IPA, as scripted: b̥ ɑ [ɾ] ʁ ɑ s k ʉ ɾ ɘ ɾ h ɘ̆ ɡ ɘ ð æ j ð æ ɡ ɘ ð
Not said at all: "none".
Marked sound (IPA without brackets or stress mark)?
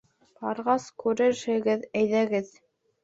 ɾ